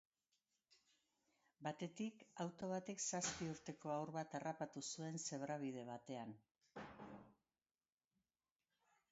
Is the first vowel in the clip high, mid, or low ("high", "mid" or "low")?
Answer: low